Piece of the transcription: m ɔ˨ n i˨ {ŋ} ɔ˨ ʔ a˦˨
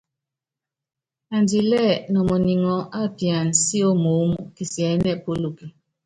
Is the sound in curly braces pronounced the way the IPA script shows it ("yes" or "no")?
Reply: yes